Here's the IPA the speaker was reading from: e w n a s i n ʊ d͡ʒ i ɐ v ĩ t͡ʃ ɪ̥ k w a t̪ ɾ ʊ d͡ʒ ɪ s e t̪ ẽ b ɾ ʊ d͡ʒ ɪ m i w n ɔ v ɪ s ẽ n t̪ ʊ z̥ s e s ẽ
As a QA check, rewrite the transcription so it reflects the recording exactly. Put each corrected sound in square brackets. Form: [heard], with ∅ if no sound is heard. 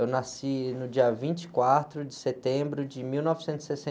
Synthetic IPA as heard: e w n a s i n ʊ d͡ʒ i ɐ v ĩ t͡ʃ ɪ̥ k w a t̪ ɾ ʊ d͡ʒ ɪ s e t̪ ẽ b ɾ ʊ d͡ʒ ɪ m i w n ɔ v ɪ s ẽ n t̪ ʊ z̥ s e s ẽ